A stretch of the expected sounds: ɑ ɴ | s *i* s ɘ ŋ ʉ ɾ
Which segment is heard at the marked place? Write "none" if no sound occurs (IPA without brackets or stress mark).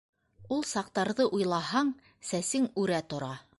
æ